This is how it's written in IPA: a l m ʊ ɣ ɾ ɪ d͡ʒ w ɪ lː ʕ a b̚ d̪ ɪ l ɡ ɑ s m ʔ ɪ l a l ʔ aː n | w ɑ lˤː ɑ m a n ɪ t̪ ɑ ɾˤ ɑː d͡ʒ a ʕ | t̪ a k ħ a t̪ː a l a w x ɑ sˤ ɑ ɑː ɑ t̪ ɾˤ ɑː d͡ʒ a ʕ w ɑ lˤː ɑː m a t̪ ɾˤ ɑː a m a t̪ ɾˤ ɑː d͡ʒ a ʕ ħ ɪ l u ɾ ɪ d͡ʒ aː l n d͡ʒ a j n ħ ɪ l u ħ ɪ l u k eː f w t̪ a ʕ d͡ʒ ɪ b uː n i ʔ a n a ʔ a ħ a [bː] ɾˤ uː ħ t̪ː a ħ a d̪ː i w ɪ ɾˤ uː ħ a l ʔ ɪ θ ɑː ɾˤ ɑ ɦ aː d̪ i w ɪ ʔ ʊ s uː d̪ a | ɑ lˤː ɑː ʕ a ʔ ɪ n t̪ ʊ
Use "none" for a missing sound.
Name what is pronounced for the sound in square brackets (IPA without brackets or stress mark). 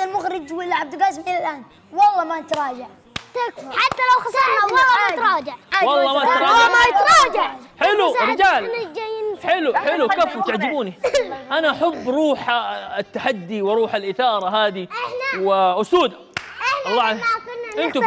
bː